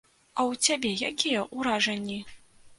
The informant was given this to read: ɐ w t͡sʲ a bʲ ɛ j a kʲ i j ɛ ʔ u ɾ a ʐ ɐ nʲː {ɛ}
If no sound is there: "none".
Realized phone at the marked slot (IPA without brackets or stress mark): i